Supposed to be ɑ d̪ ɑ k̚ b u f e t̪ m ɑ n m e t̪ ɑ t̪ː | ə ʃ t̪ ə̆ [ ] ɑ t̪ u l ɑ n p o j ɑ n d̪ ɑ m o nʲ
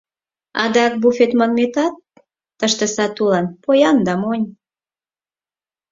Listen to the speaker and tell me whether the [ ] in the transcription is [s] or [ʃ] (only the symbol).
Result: s